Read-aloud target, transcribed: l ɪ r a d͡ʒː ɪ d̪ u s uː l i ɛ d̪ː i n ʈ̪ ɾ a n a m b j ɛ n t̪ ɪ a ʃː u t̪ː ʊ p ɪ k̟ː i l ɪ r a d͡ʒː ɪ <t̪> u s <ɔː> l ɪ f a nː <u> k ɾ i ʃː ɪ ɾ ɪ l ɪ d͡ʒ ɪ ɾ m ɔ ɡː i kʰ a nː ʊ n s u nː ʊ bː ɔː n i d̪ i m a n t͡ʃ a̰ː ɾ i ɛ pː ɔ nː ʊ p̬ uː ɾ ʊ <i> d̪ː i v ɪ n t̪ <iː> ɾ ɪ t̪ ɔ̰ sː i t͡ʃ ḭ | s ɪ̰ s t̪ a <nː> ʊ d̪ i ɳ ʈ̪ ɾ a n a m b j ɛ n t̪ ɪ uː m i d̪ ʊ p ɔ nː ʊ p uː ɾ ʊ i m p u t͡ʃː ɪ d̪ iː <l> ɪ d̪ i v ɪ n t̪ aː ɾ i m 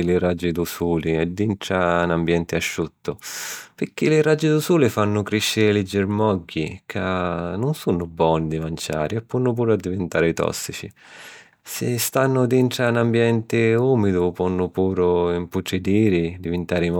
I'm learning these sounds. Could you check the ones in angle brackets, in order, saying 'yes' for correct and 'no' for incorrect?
no, no, no, no, no, yes, no

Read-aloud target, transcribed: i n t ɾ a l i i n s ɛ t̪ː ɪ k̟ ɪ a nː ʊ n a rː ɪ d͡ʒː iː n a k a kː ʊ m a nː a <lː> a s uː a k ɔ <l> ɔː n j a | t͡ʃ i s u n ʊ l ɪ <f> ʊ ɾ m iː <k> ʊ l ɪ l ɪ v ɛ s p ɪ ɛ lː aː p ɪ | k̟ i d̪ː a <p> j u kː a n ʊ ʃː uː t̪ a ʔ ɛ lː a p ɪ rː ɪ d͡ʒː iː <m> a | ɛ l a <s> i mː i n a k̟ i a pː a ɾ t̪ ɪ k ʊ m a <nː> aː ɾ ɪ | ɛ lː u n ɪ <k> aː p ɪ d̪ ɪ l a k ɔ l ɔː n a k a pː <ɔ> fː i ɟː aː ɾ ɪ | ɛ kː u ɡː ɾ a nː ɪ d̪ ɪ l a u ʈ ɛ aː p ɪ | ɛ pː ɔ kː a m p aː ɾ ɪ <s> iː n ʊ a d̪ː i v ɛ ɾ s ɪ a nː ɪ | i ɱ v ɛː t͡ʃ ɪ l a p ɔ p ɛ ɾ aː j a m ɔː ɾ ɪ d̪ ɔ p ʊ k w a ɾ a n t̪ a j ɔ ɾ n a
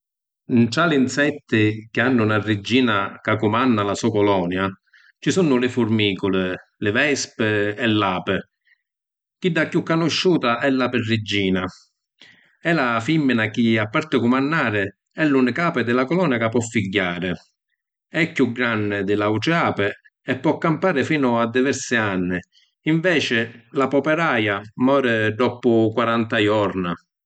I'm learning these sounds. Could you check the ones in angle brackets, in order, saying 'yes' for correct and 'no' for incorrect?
no, yes, yes, yes, no, no, no, yes, yes, yes, no

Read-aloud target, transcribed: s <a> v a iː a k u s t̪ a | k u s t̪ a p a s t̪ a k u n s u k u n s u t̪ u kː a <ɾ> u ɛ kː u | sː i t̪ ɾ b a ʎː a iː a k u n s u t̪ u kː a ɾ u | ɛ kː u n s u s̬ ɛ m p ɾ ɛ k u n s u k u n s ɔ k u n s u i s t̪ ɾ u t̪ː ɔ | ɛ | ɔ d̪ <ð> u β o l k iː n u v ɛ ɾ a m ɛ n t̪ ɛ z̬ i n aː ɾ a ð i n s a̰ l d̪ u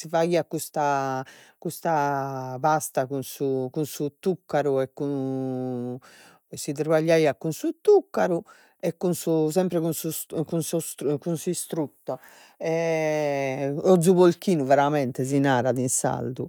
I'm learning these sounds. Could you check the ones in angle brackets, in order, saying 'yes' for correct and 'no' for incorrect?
no, yes, no

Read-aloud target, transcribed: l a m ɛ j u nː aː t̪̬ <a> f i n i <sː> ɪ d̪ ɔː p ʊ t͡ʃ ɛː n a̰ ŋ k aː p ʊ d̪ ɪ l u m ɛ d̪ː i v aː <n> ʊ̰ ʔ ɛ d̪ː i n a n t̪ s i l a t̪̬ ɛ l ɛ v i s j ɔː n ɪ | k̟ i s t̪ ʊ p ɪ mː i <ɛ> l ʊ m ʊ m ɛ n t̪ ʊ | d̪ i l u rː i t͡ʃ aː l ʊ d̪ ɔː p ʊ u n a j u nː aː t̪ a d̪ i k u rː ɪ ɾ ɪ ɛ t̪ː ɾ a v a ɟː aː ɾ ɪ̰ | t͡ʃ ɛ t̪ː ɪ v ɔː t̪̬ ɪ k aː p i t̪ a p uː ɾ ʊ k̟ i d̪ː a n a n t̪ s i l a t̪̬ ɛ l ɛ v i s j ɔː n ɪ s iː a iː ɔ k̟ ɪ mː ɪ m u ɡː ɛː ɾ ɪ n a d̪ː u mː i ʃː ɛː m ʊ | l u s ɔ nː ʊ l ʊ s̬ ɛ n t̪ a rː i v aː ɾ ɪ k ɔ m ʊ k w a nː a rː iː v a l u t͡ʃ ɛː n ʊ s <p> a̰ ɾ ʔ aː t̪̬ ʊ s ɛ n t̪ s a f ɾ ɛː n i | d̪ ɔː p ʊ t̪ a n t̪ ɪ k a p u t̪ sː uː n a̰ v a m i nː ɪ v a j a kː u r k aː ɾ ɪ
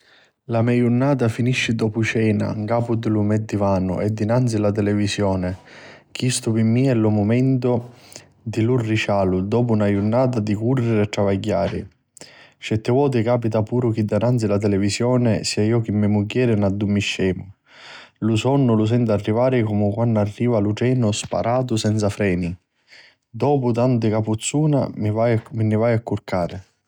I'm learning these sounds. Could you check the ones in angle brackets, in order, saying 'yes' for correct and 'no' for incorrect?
yes, no, yes, yes, yes

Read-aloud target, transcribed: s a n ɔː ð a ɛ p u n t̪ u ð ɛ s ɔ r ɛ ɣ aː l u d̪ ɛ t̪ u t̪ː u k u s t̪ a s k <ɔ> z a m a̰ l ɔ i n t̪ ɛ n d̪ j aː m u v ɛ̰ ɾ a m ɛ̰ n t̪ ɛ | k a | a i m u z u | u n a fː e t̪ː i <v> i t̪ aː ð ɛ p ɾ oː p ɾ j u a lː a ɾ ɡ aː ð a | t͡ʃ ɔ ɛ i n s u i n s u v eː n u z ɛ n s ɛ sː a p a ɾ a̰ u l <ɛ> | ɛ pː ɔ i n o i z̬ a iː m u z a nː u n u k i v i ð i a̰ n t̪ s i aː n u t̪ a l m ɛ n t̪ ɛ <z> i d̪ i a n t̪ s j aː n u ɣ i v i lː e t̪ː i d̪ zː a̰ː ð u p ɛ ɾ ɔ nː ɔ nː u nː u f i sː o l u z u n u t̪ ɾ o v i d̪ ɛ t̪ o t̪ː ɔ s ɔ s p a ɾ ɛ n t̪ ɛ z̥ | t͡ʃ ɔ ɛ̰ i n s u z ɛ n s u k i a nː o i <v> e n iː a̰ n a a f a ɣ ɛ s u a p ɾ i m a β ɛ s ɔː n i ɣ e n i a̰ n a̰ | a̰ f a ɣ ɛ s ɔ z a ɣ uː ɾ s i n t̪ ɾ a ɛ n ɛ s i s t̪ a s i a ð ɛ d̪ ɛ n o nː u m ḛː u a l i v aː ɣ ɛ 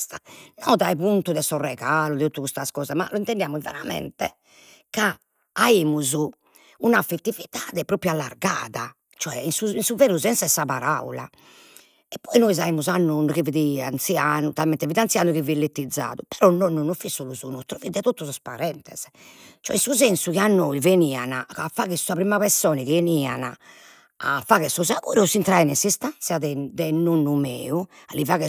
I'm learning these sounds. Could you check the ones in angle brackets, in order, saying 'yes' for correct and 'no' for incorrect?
no, yes, no, no, yes

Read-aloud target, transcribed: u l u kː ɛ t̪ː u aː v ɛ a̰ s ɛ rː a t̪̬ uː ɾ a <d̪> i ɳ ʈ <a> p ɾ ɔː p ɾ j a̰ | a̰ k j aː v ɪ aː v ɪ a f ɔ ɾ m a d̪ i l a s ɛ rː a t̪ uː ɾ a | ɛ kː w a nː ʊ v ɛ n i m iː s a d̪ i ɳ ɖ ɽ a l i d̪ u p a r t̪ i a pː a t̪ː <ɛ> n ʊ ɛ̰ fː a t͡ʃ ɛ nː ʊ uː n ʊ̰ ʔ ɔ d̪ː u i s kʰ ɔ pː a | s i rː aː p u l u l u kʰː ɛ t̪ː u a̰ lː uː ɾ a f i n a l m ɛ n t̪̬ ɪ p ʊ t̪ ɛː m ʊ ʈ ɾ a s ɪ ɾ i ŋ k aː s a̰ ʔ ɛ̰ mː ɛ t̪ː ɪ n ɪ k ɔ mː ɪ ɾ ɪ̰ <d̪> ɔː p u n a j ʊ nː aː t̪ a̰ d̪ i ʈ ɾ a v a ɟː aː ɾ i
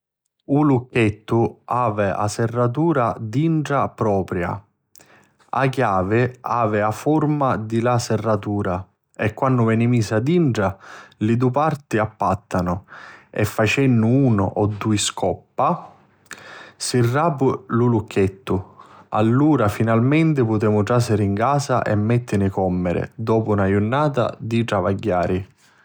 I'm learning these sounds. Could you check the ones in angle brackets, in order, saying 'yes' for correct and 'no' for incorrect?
yes, yes, no, yes

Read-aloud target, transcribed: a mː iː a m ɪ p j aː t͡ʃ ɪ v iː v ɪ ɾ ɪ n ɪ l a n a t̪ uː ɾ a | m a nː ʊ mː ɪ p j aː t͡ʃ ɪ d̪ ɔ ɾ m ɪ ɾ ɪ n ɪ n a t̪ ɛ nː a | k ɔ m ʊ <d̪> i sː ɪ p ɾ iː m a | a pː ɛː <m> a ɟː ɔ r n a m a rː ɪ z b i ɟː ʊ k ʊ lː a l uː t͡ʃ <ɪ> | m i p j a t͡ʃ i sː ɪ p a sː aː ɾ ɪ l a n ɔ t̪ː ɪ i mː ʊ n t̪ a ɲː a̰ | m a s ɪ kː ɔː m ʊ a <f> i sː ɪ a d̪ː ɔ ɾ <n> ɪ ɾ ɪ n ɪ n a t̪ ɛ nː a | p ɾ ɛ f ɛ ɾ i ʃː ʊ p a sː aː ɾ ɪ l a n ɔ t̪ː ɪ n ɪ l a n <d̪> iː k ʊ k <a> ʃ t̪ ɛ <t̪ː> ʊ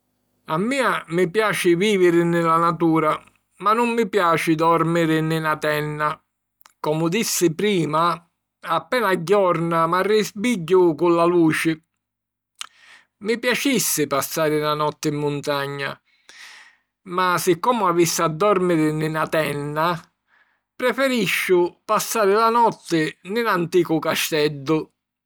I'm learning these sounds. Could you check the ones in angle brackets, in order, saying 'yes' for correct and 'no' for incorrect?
yes, no, yes, no, no, no, yes, no

